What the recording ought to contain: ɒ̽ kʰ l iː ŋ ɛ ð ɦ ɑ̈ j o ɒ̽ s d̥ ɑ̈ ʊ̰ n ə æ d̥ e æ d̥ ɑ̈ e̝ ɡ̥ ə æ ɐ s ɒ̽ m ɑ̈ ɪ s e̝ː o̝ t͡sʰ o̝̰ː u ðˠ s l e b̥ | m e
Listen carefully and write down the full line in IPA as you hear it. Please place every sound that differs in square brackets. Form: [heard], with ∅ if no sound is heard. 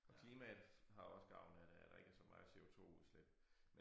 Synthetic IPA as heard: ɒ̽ kʰ l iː [m] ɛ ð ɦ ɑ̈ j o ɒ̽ s [ɡ̥] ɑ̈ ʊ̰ n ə æ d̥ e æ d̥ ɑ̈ e̝ ɡ̥ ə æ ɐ s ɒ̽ m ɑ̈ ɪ s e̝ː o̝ t͡sʰ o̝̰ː u ðˠ s l e b̥ | m e